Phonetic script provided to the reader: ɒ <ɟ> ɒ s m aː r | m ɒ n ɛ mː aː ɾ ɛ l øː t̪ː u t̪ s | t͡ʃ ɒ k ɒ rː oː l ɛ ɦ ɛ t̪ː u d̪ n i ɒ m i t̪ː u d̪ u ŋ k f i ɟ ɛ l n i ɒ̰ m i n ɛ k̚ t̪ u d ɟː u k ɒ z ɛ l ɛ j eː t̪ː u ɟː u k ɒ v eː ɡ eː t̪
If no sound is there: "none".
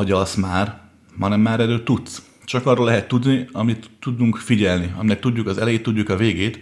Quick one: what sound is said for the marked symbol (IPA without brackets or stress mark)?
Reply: ɟ